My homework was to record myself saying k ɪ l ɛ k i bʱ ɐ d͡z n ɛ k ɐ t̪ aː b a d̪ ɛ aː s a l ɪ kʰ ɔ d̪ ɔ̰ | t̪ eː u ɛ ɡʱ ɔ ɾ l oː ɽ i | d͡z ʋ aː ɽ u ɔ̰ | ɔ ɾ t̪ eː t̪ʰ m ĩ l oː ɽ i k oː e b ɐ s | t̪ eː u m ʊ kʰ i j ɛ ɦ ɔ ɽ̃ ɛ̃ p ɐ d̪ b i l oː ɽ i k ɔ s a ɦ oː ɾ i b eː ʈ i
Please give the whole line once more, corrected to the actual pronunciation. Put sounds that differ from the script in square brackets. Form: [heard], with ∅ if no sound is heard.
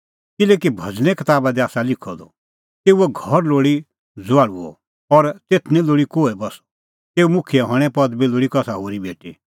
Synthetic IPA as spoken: k ɪ l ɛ k i bʱ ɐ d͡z n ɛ k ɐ t̪ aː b a d̪ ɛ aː s a l ɪ kʰ ɔ d̪ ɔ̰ | t̪ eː u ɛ ɡʱ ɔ ɾ l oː ɽ i | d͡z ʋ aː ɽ u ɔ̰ | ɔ ɾ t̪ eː t̪ʰ [n] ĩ l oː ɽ i k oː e b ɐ s | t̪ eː u m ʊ kʰ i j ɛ ɦ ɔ ɽ̃ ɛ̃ p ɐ d̪ b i l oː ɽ i k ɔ s a ɦ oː ɾ i b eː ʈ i